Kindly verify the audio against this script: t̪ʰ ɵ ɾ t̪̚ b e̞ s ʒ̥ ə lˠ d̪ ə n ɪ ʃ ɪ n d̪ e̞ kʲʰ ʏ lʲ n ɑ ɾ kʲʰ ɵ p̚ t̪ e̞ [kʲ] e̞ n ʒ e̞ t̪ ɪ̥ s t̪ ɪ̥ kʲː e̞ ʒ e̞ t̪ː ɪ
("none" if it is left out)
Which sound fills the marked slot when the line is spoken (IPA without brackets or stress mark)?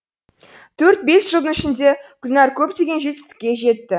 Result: ɡʲ